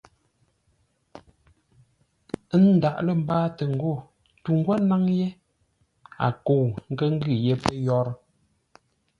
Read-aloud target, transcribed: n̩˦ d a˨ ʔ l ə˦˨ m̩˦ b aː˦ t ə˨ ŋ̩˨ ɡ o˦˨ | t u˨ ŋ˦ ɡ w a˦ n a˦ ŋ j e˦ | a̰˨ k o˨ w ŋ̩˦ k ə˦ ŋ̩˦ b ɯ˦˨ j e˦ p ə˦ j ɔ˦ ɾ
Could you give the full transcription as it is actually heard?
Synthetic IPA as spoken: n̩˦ d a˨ ʔ l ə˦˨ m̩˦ b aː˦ t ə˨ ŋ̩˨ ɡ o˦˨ | t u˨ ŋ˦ ɡ w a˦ n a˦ ŋ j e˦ | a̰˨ k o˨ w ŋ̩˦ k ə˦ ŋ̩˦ ɡ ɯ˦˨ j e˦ p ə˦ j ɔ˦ ɾ